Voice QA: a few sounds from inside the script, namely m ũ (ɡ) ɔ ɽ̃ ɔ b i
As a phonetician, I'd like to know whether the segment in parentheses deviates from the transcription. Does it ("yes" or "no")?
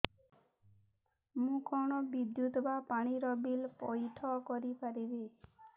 yes